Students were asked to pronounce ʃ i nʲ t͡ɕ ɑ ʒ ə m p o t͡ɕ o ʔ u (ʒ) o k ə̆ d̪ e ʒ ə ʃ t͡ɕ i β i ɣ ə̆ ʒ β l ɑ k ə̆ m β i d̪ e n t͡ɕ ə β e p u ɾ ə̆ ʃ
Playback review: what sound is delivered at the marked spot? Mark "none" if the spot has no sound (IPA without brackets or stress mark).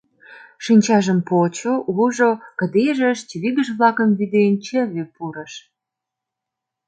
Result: ʒ